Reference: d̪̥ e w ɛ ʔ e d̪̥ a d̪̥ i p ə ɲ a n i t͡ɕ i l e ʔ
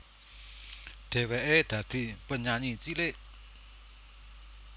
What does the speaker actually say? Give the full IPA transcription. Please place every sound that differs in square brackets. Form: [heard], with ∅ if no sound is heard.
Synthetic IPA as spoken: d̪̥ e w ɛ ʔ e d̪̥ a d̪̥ i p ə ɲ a [ɲ] i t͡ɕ i l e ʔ